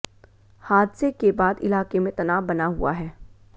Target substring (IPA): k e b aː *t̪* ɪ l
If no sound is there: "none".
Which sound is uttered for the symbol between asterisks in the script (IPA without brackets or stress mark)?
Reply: d̪